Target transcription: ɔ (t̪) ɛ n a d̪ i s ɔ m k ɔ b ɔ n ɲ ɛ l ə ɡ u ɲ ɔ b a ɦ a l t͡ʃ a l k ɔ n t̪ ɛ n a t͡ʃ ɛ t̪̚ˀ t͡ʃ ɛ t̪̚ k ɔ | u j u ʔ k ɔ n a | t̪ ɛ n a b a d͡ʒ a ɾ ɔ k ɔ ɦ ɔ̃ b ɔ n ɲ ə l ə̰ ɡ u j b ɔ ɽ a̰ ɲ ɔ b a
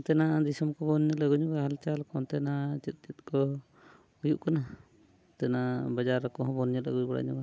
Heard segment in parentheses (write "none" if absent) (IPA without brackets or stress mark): t̪